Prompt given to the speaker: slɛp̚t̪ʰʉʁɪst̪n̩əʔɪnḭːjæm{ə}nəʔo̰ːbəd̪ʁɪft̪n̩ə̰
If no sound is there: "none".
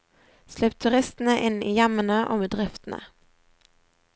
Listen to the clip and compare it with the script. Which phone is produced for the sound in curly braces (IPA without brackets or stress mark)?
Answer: ə